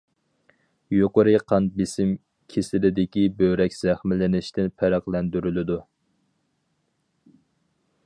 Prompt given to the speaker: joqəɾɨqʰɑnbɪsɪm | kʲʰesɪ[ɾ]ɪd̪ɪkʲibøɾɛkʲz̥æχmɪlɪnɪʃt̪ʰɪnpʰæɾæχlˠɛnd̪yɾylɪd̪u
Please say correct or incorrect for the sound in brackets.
incorrect